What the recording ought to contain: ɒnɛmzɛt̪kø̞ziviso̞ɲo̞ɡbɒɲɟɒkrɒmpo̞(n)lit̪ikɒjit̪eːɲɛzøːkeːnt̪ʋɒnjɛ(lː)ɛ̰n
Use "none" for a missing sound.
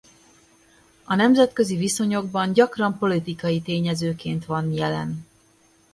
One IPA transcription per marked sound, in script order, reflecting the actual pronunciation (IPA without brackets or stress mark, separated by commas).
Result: none, l